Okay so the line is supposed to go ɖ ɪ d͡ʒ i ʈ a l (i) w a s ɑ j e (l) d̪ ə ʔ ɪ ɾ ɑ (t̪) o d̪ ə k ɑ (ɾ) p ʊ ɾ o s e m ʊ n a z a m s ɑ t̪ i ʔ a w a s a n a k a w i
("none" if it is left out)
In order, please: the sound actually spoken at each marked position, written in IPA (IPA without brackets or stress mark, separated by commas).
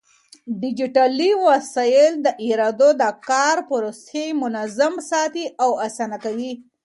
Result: i, l, d̪, ɾ